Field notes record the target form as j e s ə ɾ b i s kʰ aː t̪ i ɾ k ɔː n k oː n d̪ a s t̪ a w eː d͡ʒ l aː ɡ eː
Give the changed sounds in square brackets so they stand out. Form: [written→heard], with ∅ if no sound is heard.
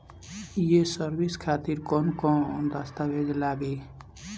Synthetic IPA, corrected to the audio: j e s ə ɾ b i s kʰ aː t̪ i ɾ k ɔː n k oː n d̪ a s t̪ a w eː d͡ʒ l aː ɡ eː